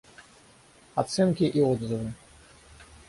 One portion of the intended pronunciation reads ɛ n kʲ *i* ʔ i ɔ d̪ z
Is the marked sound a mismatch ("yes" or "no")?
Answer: no